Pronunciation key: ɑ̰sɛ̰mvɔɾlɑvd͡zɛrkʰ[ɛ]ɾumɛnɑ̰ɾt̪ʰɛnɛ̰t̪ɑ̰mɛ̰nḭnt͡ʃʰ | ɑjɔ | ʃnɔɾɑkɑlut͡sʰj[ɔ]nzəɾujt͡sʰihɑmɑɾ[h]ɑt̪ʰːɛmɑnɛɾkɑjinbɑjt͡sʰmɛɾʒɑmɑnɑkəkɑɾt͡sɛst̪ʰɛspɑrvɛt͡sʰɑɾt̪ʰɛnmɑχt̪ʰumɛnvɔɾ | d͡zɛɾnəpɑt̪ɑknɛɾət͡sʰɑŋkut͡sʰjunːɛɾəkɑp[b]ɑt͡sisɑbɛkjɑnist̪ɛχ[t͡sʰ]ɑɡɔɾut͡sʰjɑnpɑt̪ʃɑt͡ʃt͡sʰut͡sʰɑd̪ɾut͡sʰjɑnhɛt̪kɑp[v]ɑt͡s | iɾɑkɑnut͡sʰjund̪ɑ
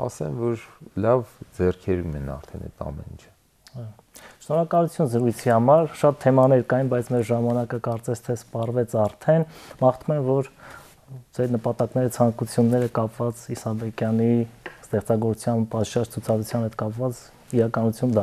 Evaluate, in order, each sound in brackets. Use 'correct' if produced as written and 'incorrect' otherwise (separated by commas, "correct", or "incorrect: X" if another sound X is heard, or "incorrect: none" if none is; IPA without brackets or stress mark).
correct, incorrect: u, incorrect: ʃ, incorrect: v, incorrect: t͡s, correct